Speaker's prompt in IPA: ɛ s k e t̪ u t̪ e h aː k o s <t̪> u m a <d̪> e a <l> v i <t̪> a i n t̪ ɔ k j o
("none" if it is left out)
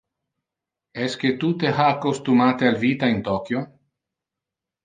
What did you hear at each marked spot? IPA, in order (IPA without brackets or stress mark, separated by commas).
t̪, t̪, l, t̪